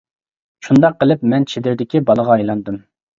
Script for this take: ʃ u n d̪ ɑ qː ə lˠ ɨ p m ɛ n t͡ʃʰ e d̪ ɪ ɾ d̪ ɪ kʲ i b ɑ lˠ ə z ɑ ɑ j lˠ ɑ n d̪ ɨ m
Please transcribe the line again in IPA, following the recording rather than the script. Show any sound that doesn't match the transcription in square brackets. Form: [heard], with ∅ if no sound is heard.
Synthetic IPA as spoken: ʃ u n d̪ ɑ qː ə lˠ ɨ p m ɛ n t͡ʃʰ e d̪ ɪ ɾ d̪ ɪ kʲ i b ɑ lˠ ə [ʁ] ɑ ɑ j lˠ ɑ n d̪ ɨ m